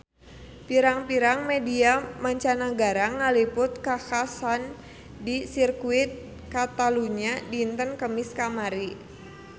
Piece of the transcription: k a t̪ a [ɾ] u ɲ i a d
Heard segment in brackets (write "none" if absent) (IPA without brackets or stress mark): l